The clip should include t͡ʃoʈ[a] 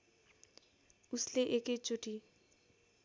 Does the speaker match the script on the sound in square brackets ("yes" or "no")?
no